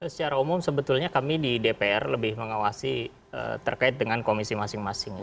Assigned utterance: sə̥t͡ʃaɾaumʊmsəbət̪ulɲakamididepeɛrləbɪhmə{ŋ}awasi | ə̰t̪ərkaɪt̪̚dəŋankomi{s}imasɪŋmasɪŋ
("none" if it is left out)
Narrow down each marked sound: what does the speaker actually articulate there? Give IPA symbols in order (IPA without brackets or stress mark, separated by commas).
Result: ŋ, s